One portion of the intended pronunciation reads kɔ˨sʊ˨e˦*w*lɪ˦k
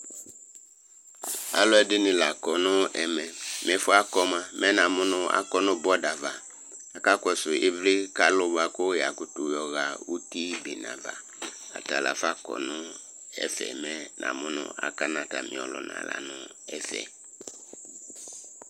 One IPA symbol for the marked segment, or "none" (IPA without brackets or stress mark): v